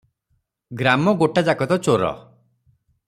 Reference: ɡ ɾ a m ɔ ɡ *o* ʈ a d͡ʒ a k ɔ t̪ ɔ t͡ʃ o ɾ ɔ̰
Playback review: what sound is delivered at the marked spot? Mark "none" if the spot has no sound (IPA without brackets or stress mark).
o